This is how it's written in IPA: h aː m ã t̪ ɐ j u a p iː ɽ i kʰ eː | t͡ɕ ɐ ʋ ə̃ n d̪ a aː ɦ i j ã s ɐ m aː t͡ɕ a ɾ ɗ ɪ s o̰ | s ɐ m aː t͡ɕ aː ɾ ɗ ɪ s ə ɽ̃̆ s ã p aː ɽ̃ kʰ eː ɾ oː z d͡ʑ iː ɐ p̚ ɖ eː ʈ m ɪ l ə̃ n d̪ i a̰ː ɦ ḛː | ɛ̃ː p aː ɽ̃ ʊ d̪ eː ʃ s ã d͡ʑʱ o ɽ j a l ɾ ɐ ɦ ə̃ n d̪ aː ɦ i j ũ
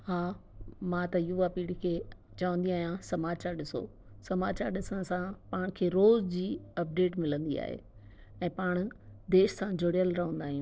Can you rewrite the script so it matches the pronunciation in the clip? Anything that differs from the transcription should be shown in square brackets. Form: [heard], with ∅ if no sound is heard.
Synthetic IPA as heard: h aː m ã t̪ ɐ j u a p iː ɽ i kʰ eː | t͡ɕ ɐ ʋ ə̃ n d̪ [i] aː ɦ i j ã s ɐ m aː t͡ɕ a ɾ ɗ ɪ s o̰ | s ɐ m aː t͡ɕ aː ɾ ɗ ɪ s ə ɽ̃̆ s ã p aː ɽ̃ kʰ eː ɾ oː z d͡ʑ iː ɐ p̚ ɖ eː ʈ m ɪ l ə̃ n d̪ i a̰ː ɦ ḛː | ɛ̃ː p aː ɽ̃ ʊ d̪ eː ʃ s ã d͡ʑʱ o ɽ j [ə] l ɾ ɐ ɦ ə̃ n d̪ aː ɦ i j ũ